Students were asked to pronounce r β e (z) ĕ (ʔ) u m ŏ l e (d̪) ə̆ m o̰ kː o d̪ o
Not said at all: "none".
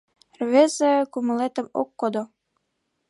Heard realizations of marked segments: z, k, t̪

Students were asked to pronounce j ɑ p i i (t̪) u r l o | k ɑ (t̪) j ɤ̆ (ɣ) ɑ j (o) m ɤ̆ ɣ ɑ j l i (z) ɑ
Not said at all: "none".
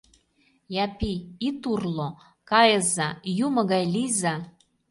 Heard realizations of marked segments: t̪, none, z, u, z

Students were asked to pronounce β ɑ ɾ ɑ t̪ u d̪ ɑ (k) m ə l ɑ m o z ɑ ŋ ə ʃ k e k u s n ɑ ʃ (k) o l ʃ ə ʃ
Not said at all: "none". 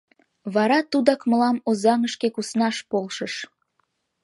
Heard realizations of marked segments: k, p

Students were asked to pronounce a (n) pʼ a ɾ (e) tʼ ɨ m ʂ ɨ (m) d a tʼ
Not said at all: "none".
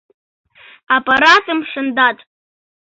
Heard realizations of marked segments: none, a, n

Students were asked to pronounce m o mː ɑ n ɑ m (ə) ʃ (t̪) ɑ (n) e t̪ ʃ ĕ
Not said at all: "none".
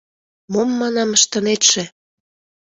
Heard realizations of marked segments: ə, t̪, n

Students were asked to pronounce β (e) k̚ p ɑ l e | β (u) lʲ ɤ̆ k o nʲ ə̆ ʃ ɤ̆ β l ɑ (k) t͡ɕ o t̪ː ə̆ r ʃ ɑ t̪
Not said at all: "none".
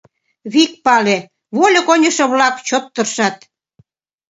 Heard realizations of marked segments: i, o, k

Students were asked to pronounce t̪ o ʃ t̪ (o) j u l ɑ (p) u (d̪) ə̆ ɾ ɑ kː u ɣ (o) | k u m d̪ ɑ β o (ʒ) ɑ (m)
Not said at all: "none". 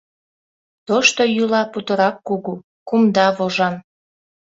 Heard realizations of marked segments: o, p, t̪, u, ʒ, n

